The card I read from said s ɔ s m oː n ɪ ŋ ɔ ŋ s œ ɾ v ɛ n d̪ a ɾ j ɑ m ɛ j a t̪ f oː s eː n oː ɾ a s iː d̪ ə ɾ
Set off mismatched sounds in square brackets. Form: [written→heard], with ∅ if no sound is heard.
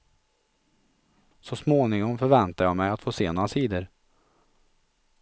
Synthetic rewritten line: s ɔ s m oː n ɪ ŋ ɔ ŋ [s→f] œ ɾ v ɛ n [d̪→t̪] a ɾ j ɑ m ɛ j a t̪ f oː s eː n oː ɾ a s iː d̪ ə ɾ